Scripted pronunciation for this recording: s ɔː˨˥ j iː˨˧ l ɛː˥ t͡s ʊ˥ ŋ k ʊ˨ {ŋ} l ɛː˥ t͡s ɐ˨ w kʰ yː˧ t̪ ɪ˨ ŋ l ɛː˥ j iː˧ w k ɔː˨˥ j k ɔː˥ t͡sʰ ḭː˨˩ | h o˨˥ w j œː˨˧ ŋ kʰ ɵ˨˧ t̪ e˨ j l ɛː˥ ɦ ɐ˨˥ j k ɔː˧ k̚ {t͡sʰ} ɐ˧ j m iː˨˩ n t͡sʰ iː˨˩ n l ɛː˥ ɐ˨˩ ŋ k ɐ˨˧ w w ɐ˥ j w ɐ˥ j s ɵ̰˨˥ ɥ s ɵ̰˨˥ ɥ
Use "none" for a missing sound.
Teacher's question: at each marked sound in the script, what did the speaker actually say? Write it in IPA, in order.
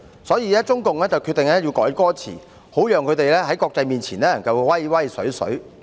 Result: ŋ, t͡s

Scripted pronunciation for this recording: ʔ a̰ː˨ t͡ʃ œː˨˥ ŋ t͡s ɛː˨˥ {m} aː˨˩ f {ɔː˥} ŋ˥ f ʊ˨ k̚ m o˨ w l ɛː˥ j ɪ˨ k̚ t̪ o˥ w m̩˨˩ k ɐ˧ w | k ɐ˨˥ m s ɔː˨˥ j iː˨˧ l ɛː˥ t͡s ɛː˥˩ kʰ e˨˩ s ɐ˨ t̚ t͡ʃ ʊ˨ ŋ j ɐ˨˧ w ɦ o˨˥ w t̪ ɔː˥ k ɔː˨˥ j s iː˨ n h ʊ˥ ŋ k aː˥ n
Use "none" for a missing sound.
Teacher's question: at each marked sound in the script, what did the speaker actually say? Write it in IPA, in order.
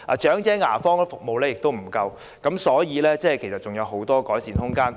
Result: ŋ, ɔː˥

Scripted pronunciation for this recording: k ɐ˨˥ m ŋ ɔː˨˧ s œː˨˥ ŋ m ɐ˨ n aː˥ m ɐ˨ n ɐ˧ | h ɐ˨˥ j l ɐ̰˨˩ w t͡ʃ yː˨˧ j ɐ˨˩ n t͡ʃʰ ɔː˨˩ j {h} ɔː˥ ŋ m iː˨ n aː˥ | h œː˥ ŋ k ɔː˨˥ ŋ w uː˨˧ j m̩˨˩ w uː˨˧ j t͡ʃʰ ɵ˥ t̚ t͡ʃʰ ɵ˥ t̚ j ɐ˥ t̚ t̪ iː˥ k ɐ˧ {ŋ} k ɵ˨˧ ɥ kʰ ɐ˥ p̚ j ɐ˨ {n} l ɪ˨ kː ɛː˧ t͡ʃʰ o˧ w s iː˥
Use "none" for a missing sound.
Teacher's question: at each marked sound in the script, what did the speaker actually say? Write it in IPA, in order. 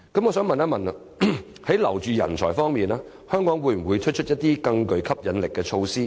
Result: f, ŋ, n

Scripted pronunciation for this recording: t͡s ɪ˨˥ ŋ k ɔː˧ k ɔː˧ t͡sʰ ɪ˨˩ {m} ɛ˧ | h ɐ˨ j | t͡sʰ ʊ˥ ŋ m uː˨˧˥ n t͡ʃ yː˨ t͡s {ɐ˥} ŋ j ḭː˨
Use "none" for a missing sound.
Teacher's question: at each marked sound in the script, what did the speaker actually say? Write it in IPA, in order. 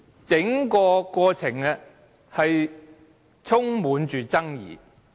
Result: ŋ, ɐ˥

